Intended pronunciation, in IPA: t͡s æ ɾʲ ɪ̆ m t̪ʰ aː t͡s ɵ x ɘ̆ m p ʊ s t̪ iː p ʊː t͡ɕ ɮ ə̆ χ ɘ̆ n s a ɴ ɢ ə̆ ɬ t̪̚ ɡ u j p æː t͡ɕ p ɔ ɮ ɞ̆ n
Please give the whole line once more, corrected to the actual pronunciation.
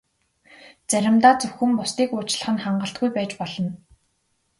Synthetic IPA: t͡s æ ɾʲ ɪ̆ m t̪ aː t͡s ɵ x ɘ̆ m p ʊ s t̪ iː k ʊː t͡ɕ ɮ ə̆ χ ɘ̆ n χ a ɴ ɢ ə̆ ɬ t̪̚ ɡ u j p æː t͡ɕ p ɔ ɮ ɞ̆ n